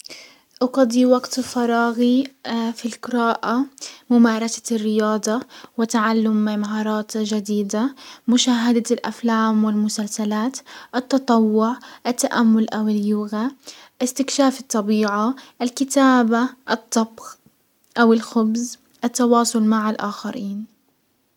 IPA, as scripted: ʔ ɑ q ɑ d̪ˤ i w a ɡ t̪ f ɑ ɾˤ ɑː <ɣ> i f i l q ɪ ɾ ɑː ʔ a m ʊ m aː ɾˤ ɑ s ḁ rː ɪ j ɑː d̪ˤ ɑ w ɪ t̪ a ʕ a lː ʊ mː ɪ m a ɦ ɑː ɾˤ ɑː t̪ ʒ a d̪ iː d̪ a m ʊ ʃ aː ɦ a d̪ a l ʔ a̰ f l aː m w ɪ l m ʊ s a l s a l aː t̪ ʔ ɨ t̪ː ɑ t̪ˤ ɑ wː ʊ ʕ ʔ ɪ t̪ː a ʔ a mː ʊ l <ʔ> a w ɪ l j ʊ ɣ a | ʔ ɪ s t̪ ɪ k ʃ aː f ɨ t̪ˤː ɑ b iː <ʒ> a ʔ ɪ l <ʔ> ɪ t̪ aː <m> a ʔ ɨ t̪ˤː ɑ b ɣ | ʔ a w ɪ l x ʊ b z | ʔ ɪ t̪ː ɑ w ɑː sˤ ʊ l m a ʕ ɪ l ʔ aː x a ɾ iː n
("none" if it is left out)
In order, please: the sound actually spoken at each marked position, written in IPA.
ɣ, ʔ, ʕ, k, b

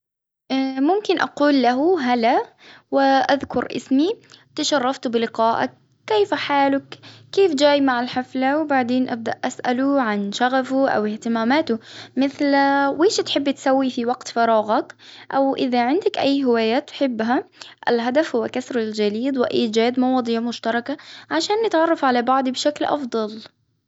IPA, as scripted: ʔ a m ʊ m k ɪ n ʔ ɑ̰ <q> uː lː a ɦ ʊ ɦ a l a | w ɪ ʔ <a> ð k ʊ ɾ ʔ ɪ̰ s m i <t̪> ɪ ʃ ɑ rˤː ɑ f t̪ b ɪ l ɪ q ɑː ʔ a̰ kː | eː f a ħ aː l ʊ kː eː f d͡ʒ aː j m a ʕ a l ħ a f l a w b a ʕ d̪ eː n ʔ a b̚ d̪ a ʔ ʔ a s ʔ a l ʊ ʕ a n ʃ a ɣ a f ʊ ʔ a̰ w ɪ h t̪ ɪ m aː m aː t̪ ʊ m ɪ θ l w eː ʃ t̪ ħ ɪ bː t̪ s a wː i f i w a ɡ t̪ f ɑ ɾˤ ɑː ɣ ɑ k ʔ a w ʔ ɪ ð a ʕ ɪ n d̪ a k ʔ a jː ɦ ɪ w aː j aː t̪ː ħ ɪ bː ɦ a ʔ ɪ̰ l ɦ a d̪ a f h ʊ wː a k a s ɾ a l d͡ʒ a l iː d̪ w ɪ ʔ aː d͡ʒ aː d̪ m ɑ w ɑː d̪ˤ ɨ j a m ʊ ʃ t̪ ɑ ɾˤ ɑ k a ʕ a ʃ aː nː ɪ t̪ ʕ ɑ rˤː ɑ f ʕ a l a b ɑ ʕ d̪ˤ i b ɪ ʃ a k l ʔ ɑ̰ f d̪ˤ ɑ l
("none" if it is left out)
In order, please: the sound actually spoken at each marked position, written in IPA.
q, a, t̪

